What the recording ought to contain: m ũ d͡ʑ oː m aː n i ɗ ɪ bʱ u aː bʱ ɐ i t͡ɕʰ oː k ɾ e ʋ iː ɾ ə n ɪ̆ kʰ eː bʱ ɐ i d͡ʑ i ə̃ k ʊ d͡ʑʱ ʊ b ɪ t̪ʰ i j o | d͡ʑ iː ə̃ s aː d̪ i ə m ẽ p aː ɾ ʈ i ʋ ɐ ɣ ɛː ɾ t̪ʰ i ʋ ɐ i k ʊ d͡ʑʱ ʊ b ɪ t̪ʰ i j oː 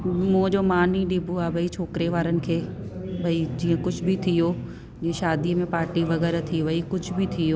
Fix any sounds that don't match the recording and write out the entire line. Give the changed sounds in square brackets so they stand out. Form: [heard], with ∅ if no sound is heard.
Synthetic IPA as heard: m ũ d͡ʑ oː m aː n i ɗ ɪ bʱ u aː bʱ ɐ i t͡ɕʰ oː k ɾ e ʋ [aː] ɾ ə n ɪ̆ kʰ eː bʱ ɐ i d͡ʑ [iː] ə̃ k ʊ d͡ʑʱ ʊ b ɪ t̪ʰ i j o | d͡ʑ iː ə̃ [ʃ] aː d̪ i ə m ẽ p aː ɾ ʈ i ʋ ɐ ɣ ɛː ɾ t̪ʰ i ʋ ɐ i k ʊ d͡ʑʱ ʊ b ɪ t̪ʰ i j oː